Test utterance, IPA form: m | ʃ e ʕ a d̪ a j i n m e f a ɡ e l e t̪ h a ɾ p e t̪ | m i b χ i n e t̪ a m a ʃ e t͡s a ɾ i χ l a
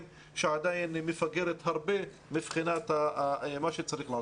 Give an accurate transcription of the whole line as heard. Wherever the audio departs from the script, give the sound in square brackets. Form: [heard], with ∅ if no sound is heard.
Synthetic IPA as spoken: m | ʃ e ʕ a d̪ a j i n m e f a ɡ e [ɾ] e t̪ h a ɾ [b] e [∅] | m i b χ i n [a] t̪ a m a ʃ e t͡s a ɾ i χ l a